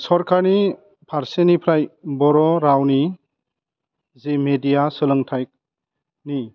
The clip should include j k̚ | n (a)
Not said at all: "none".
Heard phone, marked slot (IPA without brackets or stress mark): i